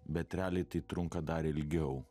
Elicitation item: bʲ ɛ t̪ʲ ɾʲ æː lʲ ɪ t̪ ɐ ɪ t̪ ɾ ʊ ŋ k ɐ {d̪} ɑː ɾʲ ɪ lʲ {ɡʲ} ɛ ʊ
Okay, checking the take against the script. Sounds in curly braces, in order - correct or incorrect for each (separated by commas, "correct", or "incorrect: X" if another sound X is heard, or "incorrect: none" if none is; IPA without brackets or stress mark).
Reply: correct, correct